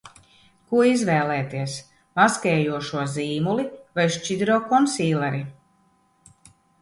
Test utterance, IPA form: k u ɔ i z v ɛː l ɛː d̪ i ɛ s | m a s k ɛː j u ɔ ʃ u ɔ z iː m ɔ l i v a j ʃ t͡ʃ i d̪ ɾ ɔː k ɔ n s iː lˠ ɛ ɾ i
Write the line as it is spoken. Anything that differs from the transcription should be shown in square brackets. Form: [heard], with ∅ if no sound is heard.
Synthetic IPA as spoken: k u ɔ i z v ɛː l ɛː [t̪] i ɛ s | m a s k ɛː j u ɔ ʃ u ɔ z iː m [u] l i v a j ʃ t͡ʃ i d̪ ɾ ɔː k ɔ n s iː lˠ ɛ ɾ i